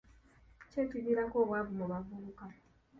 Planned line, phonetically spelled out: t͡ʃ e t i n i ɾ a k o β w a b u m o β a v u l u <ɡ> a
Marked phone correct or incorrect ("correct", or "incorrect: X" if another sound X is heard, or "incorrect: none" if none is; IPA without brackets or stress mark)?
incorrect: k